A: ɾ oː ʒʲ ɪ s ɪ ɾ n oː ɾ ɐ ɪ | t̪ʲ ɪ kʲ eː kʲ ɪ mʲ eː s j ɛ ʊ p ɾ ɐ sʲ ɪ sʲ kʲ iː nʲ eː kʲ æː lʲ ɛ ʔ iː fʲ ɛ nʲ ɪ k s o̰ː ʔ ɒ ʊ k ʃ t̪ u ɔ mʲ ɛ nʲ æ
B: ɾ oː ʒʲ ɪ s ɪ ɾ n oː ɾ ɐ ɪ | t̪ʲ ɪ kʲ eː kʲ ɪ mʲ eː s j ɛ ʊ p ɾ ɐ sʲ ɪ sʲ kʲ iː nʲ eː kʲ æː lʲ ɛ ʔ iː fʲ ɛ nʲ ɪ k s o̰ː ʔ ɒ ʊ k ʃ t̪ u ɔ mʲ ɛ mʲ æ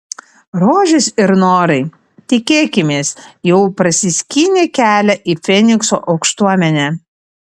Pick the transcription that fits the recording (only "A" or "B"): A